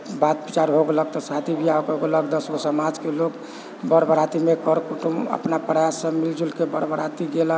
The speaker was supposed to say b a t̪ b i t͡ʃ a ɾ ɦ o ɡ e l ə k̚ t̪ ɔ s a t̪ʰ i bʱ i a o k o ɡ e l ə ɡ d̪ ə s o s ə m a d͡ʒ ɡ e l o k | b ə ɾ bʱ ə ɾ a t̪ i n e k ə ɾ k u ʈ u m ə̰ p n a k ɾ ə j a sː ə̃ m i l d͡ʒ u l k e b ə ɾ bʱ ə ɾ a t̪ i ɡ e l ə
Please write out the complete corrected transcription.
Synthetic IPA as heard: b a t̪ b i t͡ʃ a ɾ ɦ o ɡ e l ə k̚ t̪ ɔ s a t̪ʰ i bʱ i a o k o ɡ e l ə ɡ d̪ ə s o s ə m a d͡ʒ k e l o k | b ə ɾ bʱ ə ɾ a t̪ i m e k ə ɾ k u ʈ u m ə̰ p n a p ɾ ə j a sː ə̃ m i l d͡ʒ u l k e b ə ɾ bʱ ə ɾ a t̪ i ɡ e l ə

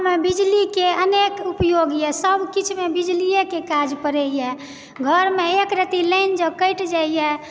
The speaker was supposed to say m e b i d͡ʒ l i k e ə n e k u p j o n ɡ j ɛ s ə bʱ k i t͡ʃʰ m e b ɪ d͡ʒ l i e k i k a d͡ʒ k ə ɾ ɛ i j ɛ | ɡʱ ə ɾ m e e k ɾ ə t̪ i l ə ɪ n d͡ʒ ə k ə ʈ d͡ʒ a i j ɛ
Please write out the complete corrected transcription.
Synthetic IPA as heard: m e b i d͡ʒ l i k e ə n e k u p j o ɡ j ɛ s ə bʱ k i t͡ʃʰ m e b i d͡ʒ l i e k e k a d͡ʒ p ə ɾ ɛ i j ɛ | ɡʱ ə ɾ m e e k ɾ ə t̪ i l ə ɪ n d͡ʒ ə k ə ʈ d͡ʒ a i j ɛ

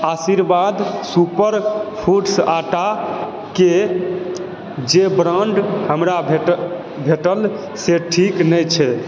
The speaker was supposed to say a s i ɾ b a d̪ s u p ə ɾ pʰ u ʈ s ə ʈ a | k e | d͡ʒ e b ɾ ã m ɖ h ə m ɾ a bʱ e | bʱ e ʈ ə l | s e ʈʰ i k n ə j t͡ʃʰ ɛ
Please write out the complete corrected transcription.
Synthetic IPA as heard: a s i ɾ b a d̪ s u p ə ɾ pʰ u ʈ s a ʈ a | k e | d͡ʒ e b ɾ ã ɳ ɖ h ə m ɾ a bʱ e | bʱ e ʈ ə l | s e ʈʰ i k n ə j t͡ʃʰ ɛ

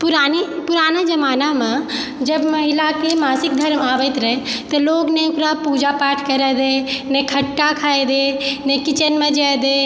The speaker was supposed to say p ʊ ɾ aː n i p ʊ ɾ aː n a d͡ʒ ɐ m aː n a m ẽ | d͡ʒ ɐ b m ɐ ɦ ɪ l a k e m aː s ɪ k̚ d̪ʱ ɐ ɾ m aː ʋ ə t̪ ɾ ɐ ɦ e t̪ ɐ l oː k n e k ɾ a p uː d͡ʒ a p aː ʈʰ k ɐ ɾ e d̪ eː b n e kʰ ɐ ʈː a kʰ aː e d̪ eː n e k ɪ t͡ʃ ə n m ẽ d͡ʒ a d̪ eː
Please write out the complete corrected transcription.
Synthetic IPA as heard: p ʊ ɾ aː n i p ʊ ɾ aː n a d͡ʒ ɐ m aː n a m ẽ | d͡ʒ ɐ b m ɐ ɦ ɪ l a k e m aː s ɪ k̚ d̪ʱ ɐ ɾ m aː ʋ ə t̪ ɾ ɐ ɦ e t̪ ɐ l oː ɡ n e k ɾ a p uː d͡ʒ a p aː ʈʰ k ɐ ɾ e d̪ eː n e kʰ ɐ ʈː a kʰ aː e d̪ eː n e k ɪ t͡ʃ ə n m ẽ d͡ʒ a d̪ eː

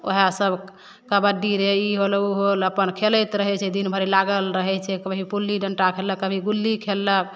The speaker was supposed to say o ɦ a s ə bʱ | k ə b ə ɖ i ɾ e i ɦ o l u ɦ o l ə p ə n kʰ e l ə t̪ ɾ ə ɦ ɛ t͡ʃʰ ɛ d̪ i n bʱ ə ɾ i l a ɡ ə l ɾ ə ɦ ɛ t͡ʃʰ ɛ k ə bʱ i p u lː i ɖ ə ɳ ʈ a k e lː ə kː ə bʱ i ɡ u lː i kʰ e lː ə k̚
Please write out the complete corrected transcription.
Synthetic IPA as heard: o ɦ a s ə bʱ | k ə b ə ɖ i ɾ e i ɦ o l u ɦ o l ə p ə n kʰ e l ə t̪ ɾ ə ɦ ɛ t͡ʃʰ ɛ d̪ i n bʱ ə ɾ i l a ɡ ə l ɾ ə ɦ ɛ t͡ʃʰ ɛ k ə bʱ i p u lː i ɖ ə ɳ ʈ a kʰ e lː ə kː ə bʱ i ɡ u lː i kʰ e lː ə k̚

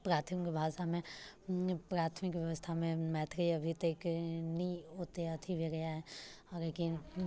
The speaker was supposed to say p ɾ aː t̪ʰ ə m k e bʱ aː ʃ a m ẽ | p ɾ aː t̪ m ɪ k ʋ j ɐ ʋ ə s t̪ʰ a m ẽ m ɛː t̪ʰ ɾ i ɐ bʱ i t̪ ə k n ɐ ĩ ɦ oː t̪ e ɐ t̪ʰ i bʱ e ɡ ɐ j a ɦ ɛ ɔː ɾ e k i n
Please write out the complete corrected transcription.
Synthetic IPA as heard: p ɾ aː t̪ʰ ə m k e bʱ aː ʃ a m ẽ | p ɾ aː t̪ʰ m ɪ k ʋ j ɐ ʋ ə s t̪ʰ a m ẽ m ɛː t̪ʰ ɾ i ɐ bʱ i t̪ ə k n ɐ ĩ ɦ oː t̪ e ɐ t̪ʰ i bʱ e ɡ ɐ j a ɦ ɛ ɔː ɾ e k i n

